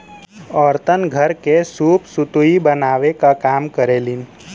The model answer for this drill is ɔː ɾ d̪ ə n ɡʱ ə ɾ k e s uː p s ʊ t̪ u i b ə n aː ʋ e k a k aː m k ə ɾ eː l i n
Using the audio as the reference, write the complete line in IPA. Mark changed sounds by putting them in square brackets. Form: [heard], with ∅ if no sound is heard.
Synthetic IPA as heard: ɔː ɾ [t̪] ə n ɡʱ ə ɾ k e s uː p s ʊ t̪ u i b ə n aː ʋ e k a k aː m k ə ɾ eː l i n